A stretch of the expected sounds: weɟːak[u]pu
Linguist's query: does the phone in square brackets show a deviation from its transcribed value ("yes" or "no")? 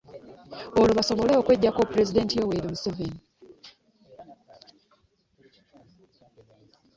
yes